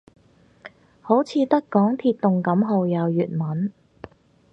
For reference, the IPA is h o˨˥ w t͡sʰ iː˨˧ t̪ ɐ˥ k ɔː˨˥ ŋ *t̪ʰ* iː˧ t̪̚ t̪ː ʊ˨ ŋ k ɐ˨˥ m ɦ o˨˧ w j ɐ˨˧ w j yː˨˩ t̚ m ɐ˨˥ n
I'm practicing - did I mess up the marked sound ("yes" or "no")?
no